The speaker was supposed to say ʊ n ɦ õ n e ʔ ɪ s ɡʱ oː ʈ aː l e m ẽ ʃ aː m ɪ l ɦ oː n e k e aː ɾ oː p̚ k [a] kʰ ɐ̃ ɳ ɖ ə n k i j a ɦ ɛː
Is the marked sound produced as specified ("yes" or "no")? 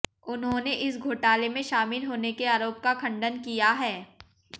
yes